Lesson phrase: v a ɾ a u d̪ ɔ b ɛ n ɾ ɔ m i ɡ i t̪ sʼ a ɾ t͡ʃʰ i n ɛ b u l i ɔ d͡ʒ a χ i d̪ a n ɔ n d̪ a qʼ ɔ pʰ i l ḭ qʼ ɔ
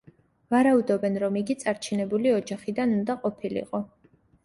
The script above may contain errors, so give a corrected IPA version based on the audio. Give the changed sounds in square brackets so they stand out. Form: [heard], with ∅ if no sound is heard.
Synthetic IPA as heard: v a ɾ a u d̪ ɔ b ɛ n ɾ ɔ m i ɡ i t̪ sʼ a ɾ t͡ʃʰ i n ɛ b u l i ɔ d͡ʒ a χ i d̪ a n [u] n d̪ a qʼ ɔ pʰ i l ḭ qʼ ɔ